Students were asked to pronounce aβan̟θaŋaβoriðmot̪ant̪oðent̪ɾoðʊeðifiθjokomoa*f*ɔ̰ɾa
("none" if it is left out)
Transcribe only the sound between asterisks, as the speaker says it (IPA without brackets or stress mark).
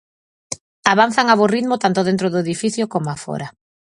f